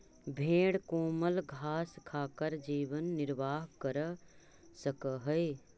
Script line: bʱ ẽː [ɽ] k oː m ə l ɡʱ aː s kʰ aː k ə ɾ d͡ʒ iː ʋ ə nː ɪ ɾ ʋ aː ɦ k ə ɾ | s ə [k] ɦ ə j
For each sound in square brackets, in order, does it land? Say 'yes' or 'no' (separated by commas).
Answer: yes, yes